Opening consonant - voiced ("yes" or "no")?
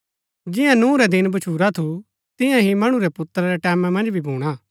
yes